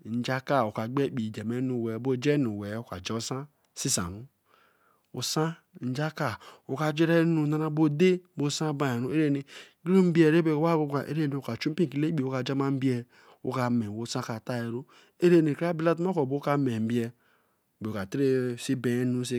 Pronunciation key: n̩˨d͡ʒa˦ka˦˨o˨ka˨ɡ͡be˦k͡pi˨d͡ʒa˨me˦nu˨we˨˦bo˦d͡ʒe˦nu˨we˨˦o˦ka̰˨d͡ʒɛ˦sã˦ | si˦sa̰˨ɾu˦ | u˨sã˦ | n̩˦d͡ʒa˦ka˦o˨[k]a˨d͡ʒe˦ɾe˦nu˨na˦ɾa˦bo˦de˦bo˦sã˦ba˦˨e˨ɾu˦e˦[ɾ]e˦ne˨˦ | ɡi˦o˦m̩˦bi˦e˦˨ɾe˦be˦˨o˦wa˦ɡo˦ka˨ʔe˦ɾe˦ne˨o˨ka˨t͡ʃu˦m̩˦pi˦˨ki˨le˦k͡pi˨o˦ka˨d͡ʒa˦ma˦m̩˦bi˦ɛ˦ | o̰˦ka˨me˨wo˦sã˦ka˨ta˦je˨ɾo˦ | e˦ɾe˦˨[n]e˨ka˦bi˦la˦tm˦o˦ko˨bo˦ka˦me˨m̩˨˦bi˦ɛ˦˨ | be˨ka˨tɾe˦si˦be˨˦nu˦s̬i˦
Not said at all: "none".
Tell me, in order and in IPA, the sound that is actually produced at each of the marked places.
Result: k, ɾ, n

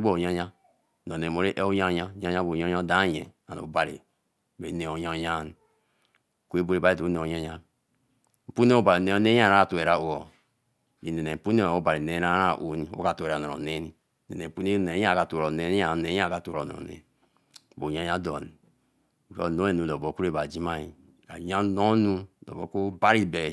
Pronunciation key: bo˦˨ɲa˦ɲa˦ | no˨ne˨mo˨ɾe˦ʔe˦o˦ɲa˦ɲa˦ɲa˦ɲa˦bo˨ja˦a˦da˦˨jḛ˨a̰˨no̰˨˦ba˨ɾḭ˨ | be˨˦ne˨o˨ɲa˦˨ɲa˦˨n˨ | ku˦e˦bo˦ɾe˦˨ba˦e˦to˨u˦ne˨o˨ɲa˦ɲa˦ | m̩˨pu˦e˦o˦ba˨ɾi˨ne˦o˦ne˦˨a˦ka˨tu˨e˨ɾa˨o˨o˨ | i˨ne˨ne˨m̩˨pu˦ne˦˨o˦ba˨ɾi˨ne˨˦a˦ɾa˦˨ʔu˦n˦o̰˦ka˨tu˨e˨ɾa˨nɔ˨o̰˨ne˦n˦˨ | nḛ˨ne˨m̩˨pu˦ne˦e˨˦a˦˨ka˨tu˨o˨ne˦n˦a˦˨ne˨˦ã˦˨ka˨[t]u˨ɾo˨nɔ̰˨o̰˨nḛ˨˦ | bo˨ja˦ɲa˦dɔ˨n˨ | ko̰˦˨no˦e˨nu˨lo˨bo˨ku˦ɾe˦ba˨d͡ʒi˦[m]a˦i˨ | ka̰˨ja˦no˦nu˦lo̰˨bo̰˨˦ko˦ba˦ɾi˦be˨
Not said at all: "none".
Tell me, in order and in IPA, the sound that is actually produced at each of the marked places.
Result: t, m

